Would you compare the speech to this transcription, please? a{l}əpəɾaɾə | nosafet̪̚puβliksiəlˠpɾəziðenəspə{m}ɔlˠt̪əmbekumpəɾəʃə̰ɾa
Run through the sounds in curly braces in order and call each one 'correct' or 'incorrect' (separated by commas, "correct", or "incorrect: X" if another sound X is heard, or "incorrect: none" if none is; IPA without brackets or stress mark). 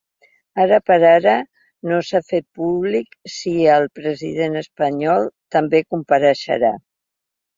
incorrect: ɾ, incorrect: ɲ